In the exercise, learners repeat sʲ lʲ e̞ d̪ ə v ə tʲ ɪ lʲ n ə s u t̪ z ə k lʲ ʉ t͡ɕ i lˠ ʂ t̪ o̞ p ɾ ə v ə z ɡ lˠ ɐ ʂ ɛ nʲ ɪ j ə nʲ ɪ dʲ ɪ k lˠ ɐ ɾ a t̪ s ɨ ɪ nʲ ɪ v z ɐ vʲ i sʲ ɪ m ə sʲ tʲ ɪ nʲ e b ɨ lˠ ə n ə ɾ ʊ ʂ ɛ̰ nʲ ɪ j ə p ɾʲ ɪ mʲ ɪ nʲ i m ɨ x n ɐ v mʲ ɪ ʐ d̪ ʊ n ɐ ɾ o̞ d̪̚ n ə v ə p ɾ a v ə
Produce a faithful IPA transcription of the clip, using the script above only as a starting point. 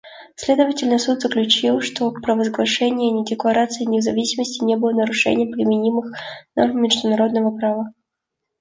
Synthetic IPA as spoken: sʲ lʲ e̞ d̪ ə v ə tʲ ɪ lʲ n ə s u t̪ z ə k lʲ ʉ t͡ɕ i lˠ ʂ t̪ o̞ p ɾ ə v ə z ɡ lˠ ɐ ʂ ɛ nʲ ɪ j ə nʲ ɪ dʲ ɪ k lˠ ɐ ɾ a t̪ s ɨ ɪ nʲ ɪ v z ɐ vʲ i sʲ ɪ m ə sʲ tʲ ɪ nʲ e b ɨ lˠ ə n ə ɾ ʊ ʂ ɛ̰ nʲ ɪ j ə p ɾʲ ɪ mʲ ɪ nʲ i m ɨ x n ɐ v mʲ ɪ ʐ d̪ ʊ n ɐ ɾ o̞ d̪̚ n ə v ə p ɾ a v ə

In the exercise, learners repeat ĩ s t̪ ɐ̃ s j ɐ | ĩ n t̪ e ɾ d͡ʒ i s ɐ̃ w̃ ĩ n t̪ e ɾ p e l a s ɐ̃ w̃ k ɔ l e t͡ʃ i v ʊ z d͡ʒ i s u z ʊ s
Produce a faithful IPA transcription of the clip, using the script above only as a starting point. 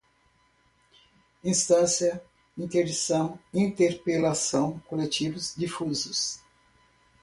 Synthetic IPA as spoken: ĩ s t̪ ɐ̃ s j ɐ | ĩ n t̪ e ɾ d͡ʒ i s ɐ̃ w̃ ĩ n t̪ e ɾ p e l a s ɐ̃ w̃ k o l e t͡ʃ i v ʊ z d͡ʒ i f u z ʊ s

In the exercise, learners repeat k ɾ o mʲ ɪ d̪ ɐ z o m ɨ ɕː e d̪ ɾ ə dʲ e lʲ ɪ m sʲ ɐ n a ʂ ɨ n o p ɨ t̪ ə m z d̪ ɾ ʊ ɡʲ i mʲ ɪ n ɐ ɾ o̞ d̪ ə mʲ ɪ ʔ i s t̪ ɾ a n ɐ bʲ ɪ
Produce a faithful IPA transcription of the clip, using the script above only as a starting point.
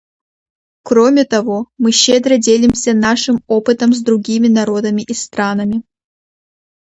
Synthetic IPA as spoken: k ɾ o mʲ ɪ t̪ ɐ v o m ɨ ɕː e d̪ ɾ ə dʲ e lʲ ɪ m sʲ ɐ n a ʂ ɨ m o p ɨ t̪ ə m z d̪ ɾ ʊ ɡʲ i mʲ ɪ n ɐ ɾ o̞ d̪ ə mʲ ɪ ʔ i s t̪ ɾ a n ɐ mʲ ɪ

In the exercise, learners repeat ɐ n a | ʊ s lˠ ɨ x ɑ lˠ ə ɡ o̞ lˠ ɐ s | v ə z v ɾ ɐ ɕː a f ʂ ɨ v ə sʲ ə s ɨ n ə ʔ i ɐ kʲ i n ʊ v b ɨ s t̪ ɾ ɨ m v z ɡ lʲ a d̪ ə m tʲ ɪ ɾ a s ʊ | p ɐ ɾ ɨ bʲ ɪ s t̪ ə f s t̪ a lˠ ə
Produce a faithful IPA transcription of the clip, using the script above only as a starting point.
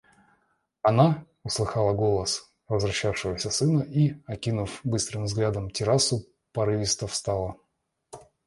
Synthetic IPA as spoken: ɐ n a | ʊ s lˠ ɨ x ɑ lˠ ə ɡ o̞ lˠ ə s | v ə z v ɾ ɐ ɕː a f ʂ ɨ v ə sʲ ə s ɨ n ə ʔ i ɐ kʲ i n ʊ f b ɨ s t̪ ɾ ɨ m v z ɡ lʲ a d̪ ə m tʲ ɪ ɾ a s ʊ | p ɐ ɾ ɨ vʲ ɪ s t̪ ə f s t̪ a lˠ ə

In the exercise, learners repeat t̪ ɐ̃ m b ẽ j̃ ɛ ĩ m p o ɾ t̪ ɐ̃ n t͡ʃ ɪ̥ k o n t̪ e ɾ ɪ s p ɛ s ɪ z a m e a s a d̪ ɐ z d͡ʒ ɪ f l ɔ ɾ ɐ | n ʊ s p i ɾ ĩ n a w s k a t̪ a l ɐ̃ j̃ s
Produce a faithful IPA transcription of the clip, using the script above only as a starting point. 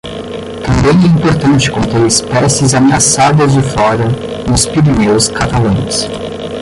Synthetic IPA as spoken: t̪ ɐ̃ m b ẽ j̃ ɛ ĩ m p o ɾ t̪ ɐ̃ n t͡ʃ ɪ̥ k õ n t̪ e ɾ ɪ s p ɛ s ɪ z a m e a s a d̪ ɐ z d͡ʒ ɪ f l ɔ ɾ ɐ | n ʊ s p i ɾ i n e w s k a t̪ a l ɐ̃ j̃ s

